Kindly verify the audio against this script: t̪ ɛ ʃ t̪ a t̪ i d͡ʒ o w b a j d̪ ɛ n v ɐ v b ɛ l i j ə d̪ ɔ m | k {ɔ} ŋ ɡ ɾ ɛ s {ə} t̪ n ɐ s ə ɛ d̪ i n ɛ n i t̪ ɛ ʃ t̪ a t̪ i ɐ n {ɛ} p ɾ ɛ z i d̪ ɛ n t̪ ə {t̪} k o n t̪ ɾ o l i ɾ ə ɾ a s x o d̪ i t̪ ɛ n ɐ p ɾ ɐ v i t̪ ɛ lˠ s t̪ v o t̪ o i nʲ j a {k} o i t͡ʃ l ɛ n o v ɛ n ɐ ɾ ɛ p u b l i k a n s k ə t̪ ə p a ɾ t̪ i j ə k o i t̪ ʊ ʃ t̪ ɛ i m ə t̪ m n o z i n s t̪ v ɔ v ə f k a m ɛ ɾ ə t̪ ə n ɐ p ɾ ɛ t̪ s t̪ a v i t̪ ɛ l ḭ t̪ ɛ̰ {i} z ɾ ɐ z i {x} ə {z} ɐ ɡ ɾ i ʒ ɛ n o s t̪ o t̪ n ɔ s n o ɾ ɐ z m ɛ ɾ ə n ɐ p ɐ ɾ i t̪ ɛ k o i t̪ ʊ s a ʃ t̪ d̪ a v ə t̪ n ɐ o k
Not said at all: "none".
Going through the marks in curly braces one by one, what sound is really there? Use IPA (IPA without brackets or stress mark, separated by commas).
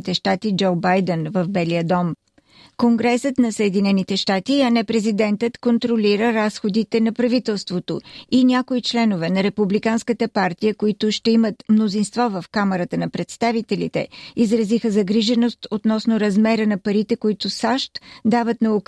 o, ə, ɛ, t̪, k, i, x, z